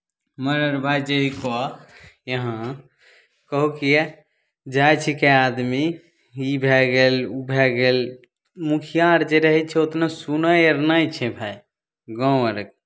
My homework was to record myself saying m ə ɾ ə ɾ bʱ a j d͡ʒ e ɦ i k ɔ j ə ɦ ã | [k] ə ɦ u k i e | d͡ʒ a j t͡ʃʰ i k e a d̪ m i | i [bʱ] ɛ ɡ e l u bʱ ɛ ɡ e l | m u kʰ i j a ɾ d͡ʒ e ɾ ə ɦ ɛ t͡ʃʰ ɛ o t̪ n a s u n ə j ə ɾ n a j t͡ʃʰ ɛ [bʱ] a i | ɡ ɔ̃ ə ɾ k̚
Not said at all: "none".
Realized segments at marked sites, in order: k, bʱ, bʱ

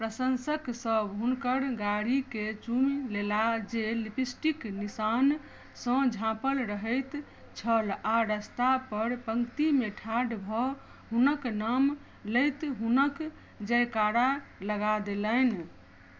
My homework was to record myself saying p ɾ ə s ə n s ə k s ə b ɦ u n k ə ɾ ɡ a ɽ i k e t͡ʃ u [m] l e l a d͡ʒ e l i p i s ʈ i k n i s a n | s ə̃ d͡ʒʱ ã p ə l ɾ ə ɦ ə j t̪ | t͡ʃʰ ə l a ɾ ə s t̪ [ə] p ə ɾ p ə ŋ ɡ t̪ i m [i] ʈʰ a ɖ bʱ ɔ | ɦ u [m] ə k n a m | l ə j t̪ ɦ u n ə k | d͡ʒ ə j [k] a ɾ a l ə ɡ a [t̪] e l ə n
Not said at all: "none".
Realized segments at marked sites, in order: m, a, e, n, k, d̪

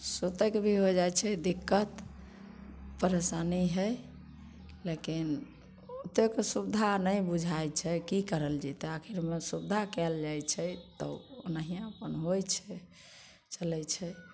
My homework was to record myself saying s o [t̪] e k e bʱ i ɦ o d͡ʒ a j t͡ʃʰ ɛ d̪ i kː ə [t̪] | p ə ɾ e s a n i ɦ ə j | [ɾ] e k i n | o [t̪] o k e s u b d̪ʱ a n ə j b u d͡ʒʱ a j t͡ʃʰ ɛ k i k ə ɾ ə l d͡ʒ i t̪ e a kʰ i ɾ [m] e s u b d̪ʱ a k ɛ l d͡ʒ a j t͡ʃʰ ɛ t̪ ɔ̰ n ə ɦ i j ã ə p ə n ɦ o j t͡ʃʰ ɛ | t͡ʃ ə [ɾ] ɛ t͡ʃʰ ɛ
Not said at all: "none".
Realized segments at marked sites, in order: t̪, t̪, l, t̪, m, l

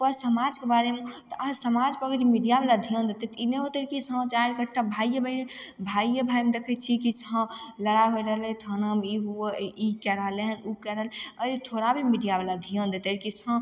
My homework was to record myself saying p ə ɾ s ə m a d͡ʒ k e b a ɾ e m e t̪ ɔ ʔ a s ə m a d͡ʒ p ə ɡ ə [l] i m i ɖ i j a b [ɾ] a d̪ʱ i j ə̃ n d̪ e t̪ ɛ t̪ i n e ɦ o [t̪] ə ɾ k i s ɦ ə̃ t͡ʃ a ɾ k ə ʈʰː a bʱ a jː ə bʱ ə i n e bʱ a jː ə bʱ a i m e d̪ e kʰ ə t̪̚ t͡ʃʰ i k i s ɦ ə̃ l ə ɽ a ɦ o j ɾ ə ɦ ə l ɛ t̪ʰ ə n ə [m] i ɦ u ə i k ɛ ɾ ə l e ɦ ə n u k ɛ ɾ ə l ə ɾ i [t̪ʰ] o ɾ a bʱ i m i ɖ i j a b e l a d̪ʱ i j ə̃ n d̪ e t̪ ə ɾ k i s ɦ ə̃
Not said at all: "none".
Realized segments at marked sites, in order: ɾ, l, t̪, m, t̪ʰ

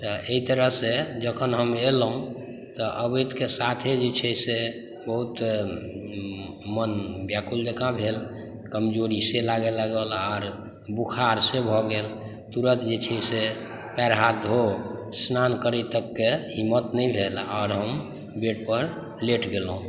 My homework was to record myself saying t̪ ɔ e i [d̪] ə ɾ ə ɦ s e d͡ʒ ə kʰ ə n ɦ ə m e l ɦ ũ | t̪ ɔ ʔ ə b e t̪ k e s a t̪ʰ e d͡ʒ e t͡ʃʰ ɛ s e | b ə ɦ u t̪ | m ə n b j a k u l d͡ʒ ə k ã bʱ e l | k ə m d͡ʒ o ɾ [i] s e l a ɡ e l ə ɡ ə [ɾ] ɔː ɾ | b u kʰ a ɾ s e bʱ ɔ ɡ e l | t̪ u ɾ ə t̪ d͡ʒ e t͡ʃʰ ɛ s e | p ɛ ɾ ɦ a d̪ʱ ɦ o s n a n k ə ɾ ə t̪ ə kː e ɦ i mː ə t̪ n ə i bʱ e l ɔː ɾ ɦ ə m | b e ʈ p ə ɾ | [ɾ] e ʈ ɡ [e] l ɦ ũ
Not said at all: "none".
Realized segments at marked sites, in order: t̪, i, l, l, e

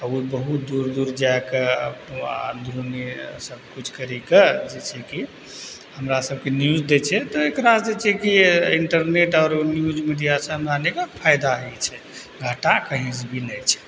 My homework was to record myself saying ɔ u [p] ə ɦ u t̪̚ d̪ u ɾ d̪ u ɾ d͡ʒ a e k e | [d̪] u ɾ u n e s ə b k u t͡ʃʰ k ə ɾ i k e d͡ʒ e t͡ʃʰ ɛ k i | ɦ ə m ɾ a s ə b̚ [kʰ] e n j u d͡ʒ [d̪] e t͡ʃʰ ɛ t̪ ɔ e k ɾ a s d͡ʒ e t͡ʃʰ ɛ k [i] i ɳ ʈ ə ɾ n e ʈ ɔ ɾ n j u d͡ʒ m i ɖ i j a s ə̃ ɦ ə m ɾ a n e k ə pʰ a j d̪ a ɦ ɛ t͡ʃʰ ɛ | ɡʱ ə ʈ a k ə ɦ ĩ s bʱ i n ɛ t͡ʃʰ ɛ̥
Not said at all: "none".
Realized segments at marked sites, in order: b, d̪, k, d̪, i

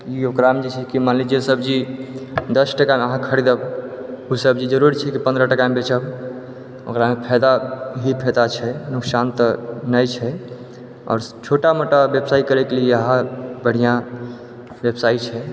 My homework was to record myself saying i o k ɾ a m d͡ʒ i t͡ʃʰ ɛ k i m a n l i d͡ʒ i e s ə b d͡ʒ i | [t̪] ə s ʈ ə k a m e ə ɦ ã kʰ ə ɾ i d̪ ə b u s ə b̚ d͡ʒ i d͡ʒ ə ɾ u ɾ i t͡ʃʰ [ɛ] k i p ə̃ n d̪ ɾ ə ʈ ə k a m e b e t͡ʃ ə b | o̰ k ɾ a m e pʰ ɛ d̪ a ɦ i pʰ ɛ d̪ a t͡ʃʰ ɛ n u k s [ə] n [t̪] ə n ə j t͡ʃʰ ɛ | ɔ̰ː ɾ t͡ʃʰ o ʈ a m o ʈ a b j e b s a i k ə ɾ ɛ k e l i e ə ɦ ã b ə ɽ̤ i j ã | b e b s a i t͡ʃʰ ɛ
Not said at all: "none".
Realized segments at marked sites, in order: d̪, ɛ, a, t̪

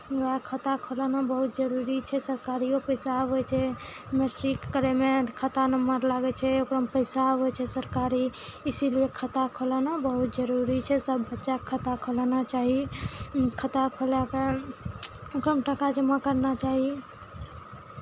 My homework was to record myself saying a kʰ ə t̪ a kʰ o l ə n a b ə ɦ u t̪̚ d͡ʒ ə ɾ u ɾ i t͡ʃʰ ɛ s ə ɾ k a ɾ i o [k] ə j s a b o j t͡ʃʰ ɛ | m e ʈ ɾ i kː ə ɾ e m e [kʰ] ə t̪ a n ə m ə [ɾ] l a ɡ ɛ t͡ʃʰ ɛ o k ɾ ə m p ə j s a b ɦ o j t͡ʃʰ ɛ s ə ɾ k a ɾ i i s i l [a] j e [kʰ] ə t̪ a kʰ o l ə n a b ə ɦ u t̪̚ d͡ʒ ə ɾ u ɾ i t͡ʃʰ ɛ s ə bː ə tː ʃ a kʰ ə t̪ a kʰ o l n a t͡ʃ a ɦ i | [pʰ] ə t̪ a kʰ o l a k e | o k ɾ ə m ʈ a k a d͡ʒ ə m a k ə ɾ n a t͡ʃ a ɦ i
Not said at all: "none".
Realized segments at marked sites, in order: p, kʰ, ɾ, i, kʰ, kʰ

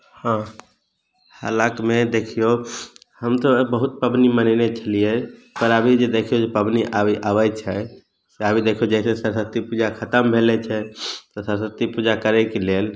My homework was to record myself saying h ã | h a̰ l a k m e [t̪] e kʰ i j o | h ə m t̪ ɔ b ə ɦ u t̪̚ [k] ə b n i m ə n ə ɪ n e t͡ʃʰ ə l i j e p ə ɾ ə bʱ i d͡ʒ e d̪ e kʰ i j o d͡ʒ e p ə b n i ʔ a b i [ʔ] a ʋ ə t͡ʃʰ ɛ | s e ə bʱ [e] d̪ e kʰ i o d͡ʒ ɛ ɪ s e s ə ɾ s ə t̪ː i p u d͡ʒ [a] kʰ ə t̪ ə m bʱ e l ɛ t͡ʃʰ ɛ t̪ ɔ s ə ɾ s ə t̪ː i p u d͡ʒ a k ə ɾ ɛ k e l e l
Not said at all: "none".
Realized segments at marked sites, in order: d̪, p, ʔ, i, a

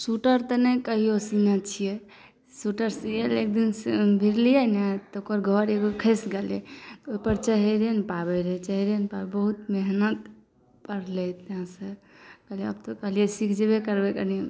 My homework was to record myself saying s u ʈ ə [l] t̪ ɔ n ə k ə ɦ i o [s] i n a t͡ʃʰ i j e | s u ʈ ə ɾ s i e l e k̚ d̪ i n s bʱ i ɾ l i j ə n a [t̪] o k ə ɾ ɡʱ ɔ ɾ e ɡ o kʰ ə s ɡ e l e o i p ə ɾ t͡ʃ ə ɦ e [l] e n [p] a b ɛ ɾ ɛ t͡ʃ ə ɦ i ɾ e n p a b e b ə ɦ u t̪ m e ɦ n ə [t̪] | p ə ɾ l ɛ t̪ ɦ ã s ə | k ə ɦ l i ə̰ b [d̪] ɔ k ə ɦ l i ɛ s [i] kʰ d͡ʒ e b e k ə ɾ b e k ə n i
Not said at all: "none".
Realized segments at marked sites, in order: ɾ, s, t̪, ɾ, p, t̪, t̪, i

